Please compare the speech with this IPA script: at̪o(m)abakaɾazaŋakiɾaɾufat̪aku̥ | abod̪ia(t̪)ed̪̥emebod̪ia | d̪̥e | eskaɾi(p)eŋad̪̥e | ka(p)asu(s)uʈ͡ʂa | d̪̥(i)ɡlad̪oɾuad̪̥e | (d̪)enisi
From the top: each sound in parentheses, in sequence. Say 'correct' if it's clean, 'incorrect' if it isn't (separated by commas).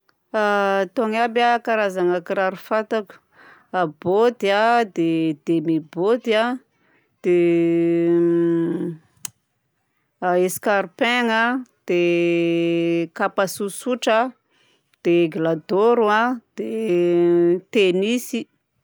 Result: incorrect, incorrect, correct, correct, correct, incorrect, incorrect